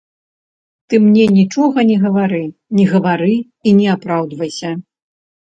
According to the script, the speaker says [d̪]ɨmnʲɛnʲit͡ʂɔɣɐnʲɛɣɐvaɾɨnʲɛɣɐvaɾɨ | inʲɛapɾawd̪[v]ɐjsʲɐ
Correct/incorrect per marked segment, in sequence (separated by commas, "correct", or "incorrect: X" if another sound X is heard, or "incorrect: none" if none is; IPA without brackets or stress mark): incorrect: t̪, correct